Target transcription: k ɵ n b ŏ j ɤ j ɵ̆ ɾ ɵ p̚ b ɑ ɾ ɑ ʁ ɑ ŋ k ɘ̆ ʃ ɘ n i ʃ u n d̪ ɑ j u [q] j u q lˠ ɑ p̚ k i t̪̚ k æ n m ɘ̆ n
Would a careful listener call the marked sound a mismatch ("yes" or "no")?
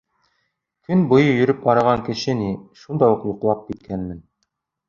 no